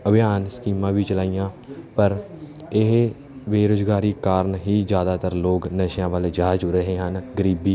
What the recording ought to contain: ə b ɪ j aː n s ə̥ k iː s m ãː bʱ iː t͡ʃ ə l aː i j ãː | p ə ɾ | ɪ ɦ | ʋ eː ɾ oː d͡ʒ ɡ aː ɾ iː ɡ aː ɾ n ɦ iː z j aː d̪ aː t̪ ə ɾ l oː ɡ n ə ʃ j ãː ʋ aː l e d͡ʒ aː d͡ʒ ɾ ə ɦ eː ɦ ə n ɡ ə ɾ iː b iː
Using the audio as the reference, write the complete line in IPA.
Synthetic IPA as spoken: ə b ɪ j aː n s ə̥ k iː m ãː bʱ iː t͡ʃ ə l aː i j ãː | p ə ɾ | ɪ ɦ | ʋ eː ɾ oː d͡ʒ ɡ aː ɾ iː k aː ɾ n ɦ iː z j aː d̪ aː t̪ ə ɾ l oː ɡ n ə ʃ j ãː ʋ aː l e d͡ʒ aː d͡ʒ ɾ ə ɦ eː ɦ ə n ɡ ə ɾ iː b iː

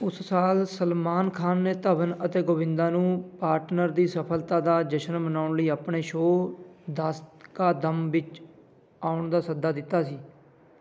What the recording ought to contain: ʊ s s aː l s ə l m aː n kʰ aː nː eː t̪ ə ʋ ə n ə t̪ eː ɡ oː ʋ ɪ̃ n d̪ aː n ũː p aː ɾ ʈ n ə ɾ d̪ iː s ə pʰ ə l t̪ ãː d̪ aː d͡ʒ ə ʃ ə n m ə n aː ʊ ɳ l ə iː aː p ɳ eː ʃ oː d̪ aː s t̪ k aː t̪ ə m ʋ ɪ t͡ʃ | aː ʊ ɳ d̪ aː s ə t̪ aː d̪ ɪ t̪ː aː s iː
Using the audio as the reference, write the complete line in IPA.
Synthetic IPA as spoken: ʊ s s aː l s ə l m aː n kʰ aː nː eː t̪ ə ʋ ə n ə t̪ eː ɡ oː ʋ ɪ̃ n d̪ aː n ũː p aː ɾ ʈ n ə ɾ d̪ iː s ə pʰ ə l t̪ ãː d̪ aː d͡ʒ ə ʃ ə n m ə n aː ʊ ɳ l ə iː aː p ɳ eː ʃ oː d̪ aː s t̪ k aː d̪ ə m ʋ ɪ t͡ʃ | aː ʊ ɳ d̪ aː s ə d̪ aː d̪ ɪ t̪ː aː s iː

